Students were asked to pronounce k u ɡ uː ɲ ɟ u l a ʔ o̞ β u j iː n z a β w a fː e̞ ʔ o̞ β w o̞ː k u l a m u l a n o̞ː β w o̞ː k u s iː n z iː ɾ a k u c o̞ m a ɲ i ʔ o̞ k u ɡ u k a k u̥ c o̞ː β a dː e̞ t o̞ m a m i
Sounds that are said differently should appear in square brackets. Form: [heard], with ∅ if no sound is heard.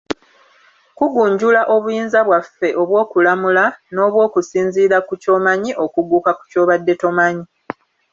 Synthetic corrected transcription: k u ɡ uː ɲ ɟ u l a ʔ o̞ β u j iː n z a β w a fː e̞ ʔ o̞ β w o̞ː k u l a m u l a n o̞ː β w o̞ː k u s iː n z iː ɾ a k u c o̞ m a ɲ i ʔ o̞ k u ɡ u k a k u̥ c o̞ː β a dː e̞ t o̞ m a [ɲ] i